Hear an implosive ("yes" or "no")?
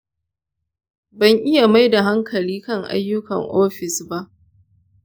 no